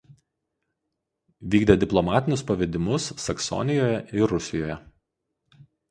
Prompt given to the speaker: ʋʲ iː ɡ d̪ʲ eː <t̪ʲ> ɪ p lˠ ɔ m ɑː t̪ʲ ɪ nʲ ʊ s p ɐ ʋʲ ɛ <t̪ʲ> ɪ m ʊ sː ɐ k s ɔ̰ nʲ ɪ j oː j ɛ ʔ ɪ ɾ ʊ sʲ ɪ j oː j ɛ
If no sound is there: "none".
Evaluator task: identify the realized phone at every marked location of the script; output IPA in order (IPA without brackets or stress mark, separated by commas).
d̪ʲ, d̪ʲ